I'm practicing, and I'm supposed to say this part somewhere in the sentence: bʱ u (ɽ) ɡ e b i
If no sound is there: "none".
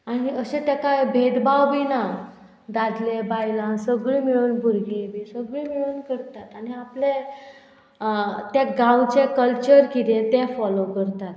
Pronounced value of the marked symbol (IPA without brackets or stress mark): ɾ